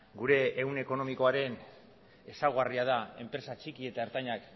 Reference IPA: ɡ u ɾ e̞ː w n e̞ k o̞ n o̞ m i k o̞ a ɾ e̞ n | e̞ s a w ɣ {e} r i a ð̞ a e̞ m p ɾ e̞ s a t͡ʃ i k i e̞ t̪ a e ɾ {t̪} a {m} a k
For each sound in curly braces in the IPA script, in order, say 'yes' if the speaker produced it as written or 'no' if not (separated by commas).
no, yes, no